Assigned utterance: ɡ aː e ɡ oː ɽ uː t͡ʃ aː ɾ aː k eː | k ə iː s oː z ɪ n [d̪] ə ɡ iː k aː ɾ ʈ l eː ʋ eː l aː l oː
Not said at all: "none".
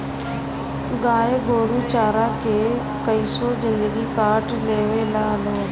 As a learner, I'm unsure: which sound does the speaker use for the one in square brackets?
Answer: d̪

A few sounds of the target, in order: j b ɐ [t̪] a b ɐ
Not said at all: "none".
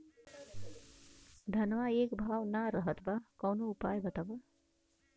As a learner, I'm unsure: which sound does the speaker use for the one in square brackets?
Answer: t̪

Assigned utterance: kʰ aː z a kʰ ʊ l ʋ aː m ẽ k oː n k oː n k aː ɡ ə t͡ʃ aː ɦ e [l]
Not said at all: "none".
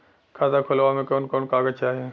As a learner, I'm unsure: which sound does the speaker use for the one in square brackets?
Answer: none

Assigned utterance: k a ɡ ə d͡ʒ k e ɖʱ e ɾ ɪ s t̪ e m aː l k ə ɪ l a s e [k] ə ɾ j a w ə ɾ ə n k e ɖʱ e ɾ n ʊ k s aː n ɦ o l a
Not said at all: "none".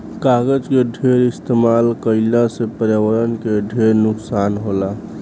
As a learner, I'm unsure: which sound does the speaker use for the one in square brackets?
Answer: p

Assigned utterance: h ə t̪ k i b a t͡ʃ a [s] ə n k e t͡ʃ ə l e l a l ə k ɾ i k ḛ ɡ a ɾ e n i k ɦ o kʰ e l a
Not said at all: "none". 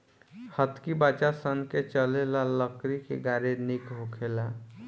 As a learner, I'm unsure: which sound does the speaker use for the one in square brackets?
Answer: s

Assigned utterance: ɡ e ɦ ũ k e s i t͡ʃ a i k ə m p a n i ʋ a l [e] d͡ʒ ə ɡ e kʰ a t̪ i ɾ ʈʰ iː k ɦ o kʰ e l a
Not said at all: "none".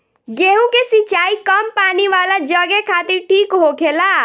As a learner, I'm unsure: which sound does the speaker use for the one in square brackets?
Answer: a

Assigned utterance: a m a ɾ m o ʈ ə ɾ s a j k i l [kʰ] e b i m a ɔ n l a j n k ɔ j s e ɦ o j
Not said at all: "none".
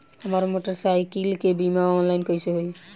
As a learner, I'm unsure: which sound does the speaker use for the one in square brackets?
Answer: k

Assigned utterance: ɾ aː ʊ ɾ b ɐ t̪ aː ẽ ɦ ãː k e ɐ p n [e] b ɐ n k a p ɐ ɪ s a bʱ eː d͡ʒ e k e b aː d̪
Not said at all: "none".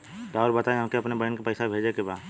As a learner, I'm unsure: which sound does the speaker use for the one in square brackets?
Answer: e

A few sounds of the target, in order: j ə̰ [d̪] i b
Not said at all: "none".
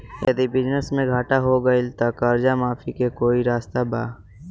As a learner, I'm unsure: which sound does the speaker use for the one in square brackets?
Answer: d̪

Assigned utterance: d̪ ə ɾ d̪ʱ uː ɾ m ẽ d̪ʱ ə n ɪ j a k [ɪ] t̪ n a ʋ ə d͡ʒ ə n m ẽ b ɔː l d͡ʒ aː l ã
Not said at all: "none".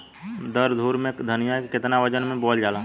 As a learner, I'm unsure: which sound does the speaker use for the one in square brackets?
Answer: ɪ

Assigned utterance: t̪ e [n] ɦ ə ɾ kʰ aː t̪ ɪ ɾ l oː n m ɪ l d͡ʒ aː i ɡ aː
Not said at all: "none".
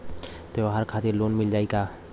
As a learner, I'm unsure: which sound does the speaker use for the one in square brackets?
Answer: none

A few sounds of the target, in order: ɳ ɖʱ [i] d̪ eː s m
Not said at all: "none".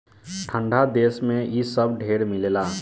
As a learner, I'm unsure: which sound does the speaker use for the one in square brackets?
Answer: a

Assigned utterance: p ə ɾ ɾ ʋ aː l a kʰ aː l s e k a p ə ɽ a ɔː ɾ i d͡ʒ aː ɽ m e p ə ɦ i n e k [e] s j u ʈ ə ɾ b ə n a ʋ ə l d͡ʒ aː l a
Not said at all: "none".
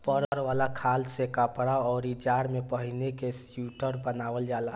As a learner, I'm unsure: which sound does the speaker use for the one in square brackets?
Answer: e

